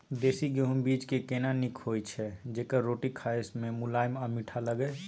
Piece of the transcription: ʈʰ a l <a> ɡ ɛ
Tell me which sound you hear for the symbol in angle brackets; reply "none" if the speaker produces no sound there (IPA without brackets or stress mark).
ə